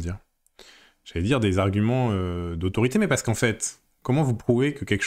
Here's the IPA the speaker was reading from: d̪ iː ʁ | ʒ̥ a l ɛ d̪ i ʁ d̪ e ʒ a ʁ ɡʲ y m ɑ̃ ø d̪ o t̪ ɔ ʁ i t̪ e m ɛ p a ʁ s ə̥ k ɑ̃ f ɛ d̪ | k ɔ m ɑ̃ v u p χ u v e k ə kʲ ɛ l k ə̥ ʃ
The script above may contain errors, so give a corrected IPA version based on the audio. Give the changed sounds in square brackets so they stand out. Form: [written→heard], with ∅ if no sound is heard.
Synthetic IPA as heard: d̪ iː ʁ | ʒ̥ a l ɛ d̪ i ʁ d̪ e [ʒ→z] a ʁ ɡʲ y m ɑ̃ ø d̪ o t̪ ɔ ʁ i t̪ e m ɛ p a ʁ s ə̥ k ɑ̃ f ɛ [d̪→t̪] | k ɔ m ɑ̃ v u p χ u v e k ə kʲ ɛ l k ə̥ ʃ